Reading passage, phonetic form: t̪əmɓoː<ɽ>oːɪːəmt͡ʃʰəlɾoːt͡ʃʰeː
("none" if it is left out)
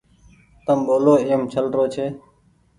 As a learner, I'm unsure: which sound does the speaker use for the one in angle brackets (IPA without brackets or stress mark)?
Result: l